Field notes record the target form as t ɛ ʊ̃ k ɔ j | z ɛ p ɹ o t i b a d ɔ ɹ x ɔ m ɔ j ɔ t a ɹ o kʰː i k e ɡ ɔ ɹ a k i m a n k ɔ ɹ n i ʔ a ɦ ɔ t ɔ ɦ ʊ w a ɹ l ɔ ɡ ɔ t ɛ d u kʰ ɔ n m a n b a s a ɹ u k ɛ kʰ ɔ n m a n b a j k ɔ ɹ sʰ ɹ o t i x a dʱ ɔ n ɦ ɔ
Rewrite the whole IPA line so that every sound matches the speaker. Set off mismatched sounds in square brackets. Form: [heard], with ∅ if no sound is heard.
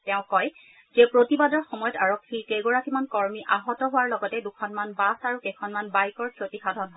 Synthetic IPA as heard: t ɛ ʊ̃ k ɔ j | z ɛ p ɹ o t i b a d ɔ ɹ x ɔ m ɔ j ɔ t a ɹ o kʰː i k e ɡ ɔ ɹ a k i m a n k ɔ ɹ [m] i ʔ a ɦ ɔ t ɔ ɦ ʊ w a ɹ l ɔ ɡ ɔ t ɛ d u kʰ ɔ n m a n b a s a ɹ u k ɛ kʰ ɔ n m a n b a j k ɔ ɹ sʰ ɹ o t i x a dʱ ɔ n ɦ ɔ